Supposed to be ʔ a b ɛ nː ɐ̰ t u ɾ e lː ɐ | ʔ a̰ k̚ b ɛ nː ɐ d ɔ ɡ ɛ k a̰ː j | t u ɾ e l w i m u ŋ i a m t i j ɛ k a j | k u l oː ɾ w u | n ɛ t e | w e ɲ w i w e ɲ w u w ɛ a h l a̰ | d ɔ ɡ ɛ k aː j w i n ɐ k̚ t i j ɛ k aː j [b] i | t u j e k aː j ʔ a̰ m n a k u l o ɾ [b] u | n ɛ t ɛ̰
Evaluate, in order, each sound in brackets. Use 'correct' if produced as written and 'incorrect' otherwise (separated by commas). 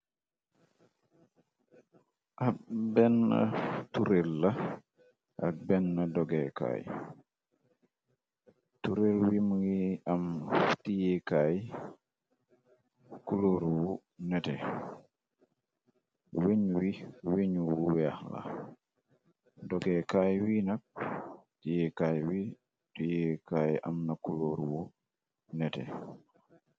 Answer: incorrect, incorrect